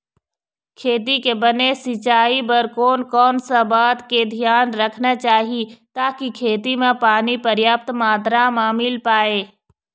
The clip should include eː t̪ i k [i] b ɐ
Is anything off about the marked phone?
yes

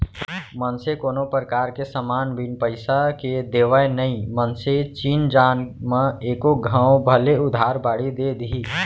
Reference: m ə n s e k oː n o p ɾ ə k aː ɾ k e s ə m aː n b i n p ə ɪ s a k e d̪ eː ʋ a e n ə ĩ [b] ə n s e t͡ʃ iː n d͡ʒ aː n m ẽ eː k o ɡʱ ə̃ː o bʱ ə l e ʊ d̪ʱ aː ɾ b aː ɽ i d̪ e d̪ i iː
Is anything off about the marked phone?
yes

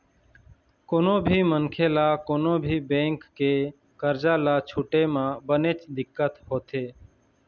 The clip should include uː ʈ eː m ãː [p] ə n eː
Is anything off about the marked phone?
yes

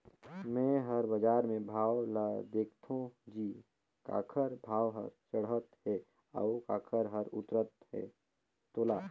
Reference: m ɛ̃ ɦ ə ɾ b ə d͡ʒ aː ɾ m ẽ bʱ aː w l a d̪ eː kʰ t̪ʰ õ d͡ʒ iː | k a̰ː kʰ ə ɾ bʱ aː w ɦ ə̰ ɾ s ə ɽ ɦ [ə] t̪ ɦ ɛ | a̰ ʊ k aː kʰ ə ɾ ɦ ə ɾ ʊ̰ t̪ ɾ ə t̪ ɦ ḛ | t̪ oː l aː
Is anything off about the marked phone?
no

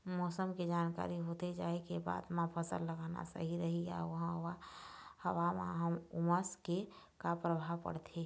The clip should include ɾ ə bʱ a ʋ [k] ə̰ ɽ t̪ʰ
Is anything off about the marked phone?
yes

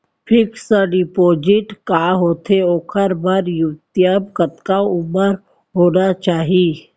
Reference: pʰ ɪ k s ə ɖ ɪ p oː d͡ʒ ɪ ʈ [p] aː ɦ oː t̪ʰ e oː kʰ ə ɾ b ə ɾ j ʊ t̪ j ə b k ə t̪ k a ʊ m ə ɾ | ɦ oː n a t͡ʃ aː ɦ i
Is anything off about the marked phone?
yes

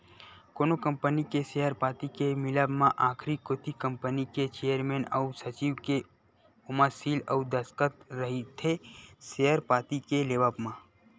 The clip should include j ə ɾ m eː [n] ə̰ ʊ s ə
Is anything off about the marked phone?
no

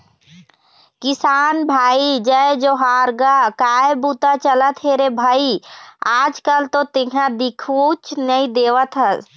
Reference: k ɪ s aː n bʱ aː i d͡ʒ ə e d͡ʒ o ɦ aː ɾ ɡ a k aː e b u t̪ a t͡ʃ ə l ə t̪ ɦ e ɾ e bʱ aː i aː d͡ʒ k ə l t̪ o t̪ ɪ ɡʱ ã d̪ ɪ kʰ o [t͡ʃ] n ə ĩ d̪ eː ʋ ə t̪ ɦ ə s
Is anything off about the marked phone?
no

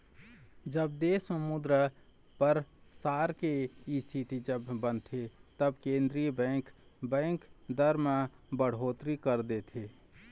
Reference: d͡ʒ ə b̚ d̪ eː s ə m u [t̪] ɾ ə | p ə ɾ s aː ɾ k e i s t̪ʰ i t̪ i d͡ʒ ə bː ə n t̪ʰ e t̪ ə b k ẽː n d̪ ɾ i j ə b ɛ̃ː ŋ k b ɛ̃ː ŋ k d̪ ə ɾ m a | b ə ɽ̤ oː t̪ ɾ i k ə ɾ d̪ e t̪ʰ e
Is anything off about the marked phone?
yes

